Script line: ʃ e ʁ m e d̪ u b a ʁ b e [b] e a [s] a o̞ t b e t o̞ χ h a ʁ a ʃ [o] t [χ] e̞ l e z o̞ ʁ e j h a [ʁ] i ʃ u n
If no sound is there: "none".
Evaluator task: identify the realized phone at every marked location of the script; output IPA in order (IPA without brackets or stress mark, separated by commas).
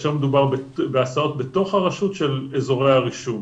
b, s, u, ʃ, ʁ